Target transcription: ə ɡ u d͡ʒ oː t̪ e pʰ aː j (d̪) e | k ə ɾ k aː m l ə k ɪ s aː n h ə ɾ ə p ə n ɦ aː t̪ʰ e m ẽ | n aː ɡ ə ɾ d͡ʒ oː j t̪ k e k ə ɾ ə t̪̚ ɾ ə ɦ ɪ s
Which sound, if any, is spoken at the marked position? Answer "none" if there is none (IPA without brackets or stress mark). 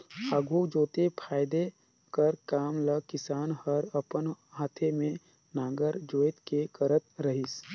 d̪